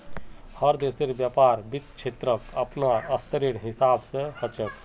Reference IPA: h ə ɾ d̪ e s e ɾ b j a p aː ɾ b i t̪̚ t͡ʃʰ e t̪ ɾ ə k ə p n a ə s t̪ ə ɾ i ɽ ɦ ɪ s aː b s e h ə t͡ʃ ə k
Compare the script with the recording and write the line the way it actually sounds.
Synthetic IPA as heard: h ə ɾ d̪ e s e ɾ b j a p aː ɾ b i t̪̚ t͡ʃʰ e t̪ ɾ ə k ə p n a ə s t̪ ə ɾ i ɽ ɦ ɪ s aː b s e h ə t͡ʃ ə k